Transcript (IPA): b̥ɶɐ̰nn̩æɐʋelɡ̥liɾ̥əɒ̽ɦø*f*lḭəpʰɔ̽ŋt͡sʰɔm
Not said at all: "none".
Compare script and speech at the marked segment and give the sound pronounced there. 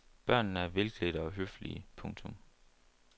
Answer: f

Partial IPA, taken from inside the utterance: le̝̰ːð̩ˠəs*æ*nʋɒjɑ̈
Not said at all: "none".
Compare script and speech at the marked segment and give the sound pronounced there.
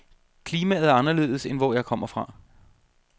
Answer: e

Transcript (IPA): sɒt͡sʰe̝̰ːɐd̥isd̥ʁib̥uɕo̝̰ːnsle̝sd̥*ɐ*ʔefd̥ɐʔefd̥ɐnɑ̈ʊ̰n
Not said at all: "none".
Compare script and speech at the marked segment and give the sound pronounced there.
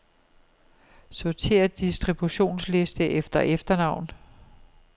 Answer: ə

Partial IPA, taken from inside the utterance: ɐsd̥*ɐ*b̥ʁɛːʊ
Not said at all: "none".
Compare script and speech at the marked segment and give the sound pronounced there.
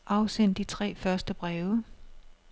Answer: ə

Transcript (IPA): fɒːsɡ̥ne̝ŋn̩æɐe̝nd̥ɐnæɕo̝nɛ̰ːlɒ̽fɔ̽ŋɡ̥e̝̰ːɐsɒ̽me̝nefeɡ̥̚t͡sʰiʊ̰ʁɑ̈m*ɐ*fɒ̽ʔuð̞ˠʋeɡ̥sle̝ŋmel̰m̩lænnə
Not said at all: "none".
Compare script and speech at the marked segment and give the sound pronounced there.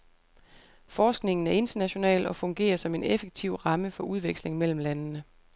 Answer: ə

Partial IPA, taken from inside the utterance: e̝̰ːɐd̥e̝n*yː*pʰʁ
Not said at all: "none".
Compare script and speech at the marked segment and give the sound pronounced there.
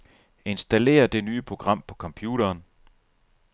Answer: yː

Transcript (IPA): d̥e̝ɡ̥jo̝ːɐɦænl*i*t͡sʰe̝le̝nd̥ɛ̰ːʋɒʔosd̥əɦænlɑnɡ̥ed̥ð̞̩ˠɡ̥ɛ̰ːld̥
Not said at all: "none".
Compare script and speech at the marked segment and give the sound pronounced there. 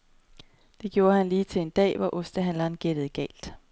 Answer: iː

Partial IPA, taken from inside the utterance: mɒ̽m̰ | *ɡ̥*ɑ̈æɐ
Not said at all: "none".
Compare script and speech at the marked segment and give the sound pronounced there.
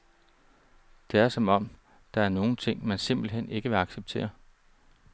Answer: d̥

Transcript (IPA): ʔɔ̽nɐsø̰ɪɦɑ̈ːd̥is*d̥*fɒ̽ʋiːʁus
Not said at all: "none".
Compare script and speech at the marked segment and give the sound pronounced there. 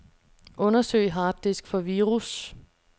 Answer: ɡ̥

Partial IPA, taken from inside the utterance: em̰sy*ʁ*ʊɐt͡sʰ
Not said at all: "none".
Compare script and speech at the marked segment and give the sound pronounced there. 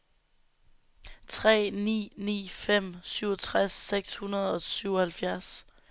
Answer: none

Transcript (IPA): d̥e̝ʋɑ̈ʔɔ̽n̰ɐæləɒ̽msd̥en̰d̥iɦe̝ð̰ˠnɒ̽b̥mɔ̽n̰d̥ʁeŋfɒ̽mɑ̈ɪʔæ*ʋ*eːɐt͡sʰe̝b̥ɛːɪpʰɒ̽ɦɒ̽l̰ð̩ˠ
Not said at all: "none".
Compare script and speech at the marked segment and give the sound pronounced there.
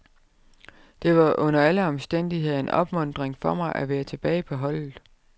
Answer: ʋ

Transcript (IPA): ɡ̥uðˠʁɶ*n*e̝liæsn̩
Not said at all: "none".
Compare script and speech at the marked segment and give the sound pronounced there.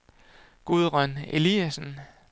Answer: n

